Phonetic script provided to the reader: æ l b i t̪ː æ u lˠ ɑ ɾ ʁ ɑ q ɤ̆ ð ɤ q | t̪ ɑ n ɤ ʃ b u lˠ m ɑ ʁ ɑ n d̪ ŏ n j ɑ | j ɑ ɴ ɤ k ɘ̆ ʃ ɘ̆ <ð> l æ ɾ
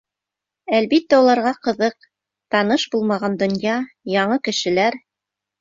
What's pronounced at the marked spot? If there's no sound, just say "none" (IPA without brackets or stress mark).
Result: none